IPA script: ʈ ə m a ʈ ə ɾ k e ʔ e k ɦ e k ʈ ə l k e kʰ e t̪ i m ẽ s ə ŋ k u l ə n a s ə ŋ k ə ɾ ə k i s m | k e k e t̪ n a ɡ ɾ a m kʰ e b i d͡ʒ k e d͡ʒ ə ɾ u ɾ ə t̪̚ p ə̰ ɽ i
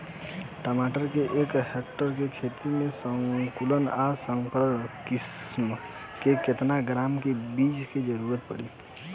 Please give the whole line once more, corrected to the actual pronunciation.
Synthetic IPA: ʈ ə m a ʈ ə ɾ k e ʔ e k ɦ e k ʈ ə ɾ k e kʰ e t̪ i m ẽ s ə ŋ k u l ə n a s ə ŋ k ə ɾ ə k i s m | k e k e t̪ n a ɡ ɾ a m k e b i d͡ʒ k e d͡ʒ ə ɾ u ɾ ə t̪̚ p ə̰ ɽ i